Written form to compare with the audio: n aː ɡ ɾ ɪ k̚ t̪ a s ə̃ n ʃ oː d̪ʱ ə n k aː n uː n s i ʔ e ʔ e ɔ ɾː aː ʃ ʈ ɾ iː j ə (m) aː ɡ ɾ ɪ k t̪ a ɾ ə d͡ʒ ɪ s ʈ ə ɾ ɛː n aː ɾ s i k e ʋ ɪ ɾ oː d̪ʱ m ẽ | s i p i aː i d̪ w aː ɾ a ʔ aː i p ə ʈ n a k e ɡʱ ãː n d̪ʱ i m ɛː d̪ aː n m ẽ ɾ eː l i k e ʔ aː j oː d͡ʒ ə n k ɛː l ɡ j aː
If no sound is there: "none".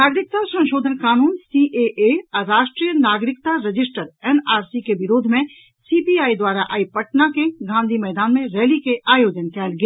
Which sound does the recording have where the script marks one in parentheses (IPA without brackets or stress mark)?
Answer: n